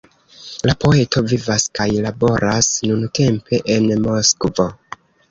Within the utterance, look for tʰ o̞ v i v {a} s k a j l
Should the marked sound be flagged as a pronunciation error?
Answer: no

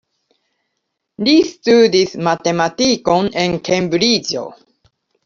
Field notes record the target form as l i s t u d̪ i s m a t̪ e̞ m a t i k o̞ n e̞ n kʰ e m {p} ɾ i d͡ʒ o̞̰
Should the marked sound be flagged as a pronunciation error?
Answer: yes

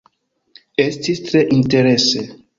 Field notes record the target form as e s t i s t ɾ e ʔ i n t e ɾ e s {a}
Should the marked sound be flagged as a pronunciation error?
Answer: yes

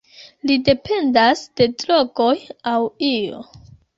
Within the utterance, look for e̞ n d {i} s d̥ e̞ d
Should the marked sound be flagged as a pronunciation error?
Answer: yes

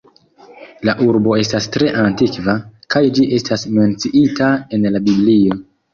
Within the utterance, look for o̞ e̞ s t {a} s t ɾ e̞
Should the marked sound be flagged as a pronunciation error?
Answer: no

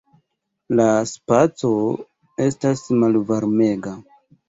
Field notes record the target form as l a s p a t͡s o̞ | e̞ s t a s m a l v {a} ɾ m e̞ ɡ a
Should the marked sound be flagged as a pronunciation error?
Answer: no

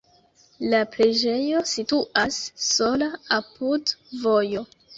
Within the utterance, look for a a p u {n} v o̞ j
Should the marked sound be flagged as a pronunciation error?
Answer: yes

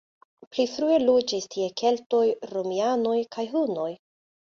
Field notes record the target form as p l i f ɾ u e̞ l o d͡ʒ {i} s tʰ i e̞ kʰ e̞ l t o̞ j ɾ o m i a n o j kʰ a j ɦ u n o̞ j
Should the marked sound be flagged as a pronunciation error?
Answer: no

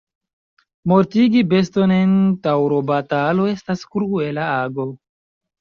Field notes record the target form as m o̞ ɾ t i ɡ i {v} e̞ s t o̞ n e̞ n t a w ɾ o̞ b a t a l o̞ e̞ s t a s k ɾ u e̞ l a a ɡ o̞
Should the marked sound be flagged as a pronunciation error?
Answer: yes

